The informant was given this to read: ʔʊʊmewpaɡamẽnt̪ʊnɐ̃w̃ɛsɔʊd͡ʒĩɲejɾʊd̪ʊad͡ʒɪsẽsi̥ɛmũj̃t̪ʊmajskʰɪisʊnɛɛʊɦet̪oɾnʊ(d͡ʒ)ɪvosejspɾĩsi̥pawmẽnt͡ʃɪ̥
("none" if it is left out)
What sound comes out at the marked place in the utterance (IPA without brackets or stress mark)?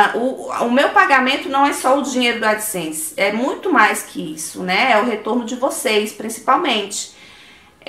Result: d͡ʒ